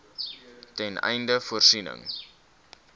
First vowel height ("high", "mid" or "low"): mid